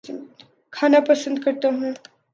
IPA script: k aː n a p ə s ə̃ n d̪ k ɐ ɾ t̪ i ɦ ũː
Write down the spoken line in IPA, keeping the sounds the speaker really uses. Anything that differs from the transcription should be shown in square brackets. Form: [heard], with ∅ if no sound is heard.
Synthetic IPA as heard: [kʰ] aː n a p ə s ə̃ n d̪ k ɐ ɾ t̪ [a] ɦ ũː